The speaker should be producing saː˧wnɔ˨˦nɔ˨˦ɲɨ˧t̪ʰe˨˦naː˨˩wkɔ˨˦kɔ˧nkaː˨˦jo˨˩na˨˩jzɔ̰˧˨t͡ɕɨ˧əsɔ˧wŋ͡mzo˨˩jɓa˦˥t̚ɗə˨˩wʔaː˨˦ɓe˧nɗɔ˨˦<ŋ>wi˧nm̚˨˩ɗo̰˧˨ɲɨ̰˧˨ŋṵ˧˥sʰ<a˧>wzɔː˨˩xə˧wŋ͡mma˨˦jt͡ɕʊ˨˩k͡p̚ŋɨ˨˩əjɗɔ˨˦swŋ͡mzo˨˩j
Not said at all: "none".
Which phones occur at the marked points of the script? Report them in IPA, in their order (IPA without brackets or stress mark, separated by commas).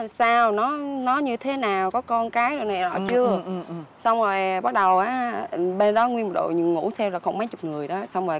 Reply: ŋ, ɛ˧